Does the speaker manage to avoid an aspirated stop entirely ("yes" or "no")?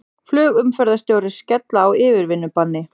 yes